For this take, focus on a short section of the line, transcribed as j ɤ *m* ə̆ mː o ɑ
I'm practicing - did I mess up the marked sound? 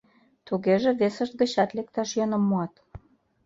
yes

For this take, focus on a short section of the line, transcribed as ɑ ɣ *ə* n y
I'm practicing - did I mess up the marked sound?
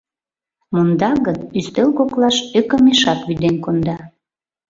no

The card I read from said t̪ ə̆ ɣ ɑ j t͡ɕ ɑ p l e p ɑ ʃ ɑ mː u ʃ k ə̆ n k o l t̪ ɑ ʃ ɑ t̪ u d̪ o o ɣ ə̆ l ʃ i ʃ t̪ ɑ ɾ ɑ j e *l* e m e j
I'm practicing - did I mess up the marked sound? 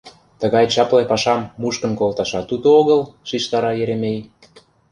yes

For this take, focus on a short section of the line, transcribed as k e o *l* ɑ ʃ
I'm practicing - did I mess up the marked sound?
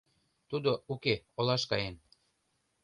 no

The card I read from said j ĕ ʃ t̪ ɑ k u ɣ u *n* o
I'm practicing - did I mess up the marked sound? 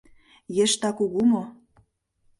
yes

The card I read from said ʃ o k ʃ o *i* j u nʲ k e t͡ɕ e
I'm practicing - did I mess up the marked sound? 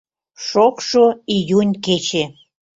no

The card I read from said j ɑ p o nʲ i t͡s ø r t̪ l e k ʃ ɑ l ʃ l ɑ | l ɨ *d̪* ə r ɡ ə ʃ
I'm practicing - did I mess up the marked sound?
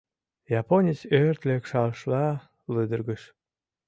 no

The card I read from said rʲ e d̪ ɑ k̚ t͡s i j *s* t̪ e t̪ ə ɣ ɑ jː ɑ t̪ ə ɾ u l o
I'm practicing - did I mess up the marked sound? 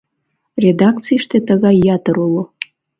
yes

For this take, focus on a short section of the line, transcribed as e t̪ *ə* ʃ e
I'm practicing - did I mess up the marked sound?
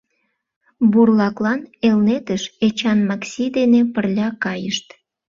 no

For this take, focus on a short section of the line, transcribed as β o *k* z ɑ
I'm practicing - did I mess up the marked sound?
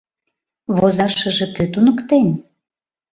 yes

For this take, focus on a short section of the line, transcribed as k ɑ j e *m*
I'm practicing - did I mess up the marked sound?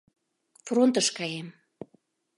no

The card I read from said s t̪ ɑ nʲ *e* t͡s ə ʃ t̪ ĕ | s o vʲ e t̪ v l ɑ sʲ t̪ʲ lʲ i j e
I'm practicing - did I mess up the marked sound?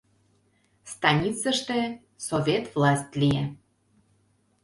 yes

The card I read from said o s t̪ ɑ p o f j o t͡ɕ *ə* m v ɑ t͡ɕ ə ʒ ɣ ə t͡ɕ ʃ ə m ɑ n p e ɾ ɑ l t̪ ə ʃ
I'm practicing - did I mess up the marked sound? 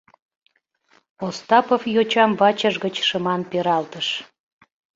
yes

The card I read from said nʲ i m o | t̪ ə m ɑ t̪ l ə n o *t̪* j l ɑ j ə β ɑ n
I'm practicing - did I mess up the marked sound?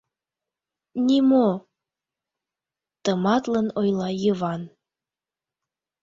yes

